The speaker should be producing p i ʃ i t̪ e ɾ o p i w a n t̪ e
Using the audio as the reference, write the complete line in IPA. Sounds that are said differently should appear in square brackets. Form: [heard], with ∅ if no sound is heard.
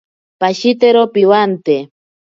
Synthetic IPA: p [a] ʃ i t̪ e ɾ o p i w a n t̪ e